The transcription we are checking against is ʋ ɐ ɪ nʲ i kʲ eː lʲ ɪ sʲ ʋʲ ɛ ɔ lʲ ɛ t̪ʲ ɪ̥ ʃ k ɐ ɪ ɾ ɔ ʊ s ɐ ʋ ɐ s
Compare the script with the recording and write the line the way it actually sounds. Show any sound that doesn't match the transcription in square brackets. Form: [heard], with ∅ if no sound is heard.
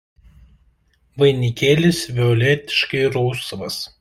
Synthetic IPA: ʋ ɐ ɪ nʲ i kʲ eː lʲ ɪ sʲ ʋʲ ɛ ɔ lʲ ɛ t̪ʲ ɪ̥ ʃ k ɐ ɪ ɾ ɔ ʊ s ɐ ʋ ɐ s